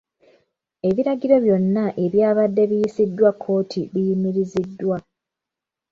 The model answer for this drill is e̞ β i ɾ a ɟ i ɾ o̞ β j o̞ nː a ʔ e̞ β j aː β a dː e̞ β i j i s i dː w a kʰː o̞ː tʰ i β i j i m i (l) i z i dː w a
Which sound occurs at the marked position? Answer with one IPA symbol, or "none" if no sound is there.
ɾ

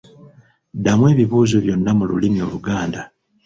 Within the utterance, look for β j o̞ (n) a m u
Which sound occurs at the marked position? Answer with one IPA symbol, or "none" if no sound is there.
nː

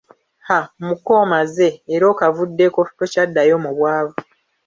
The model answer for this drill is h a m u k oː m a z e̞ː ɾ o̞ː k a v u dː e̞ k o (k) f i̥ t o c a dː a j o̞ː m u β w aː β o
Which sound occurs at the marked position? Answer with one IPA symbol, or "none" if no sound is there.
none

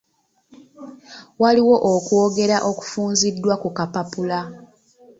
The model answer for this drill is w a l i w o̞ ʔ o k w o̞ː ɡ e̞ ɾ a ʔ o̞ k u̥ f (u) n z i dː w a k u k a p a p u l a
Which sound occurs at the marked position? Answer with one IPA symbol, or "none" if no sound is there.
uː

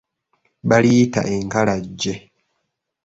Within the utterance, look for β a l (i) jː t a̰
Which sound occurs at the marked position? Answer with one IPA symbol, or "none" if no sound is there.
i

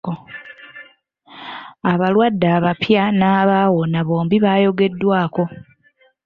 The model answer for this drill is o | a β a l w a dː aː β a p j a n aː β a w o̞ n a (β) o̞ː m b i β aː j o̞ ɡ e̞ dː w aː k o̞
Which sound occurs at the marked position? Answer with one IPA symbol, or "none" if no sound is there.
β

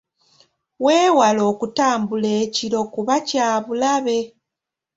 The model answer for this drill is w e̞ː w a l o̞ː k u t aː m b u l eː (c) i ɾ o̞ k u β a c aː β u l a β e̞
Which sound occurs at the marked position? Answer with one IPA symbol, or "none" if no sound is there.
c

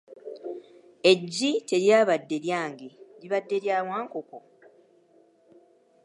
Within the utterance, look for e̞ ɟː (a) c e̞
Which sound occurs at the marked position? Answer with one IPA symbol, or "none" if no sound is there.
i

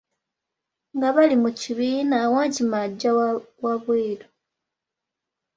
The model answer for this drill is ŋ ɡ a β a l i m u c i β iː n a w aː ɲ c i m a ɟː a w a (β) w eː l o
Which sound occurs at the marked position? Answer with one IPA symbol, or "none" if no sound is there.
β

